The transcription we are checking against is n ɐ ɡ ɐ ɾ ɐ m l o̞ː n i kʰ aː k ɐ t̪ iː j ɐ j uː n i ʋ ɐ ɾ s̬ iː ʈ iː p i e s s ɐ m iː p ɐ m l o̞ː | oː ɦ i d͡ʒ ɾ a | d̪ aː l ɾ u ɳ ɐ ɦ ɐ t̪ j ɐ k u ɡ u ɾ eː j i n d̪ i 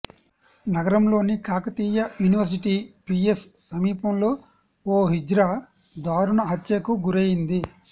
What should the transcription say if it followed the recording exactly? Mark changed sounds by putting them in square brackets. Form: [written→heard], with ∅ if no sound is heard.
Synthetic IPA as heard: n ɐ ɡ ɐ ɾ ɐ m l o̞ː n i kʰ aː k ɐ t̪ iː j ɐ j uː n i ʋ ɐ ɾ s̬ [iː→i] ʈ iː p i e s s ɐ m iː p ɐ m l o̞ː | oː ɦ i d͡ʒ ɾ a | d̪ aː [l→∅] ɾ u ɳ ɐ ɦ ɐ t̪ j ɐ k u ɡ u ɾ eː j i n d̪ i